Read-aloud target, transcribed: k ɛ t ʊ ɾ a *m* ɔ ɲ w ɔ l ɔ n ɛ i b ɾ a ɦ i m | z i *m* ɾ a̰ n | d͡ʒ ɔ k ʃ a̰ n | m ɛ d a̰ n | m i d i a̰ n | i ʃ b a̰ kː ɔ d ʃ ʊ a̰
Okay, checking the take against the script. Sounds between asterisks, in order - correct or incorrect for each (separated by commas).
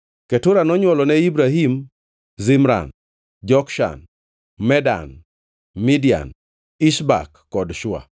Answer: incorrect, correct